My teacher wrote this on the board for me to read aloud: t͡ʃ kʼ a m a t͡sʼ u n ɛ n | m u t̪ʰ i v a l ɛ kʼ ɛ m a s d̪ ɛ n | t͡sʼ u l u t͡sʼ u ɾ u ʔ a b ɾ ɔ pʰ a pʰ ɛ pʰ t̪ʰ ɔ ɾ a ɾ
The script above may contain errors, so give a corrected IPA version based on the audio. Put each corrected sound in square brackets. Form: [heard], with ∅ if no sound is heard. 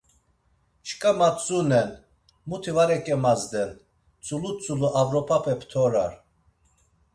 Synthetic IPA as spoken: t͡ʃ kʼ a m a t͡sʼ u n ɛ n | m u t̪ʰ i v a [ɾ] ɛ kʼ ɛ m a [z] d̪ ɛ n | t͡sʼ u l u t͡sʼ u [l] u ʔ a [v] ɾ ɔ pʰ a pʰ ɛ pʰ t̪ʰ ɔ ɾ a ɾ